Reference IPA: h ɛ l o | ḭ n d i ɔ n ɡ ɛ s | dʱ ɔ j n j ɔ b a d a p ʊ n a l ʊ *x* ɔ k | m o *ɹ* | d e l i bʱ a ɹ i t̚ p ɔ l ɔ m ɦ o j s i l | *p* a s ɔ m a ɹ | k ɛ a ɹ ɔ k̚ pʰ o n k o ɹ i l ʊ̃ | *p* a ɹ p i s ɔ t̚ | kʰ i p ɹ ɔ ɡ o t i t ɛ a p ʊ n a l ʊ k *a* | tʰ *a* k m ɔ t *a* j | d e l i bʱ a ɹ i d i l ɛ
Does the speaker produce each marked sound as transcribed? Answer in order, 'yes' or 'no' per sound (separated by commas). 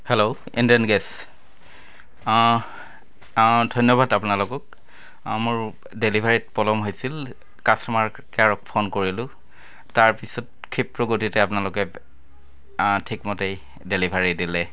no, yes, no, no, no, no, no